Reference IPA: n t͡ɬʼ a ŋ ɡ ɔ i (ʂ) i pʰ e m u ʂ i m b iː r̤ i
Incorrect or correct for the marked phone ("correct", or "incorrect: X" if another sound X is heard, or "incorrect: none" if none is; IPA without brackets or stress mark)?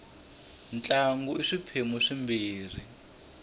correct